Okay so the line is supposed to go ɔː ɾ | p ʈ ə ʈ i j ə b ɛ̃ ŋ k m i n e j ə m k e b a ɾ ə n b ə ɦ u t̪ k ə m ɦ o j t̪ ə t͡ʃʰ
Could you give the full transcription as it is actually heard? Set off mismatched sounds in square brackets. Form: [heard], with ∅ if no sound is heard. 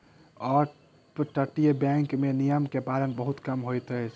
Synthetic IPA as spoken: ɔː ɾ | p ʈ ə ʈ i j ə b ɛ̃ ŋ k m [e] n [i] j ə m k e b a ɾ ə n b ə ɦ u t̪ k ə m ɦ o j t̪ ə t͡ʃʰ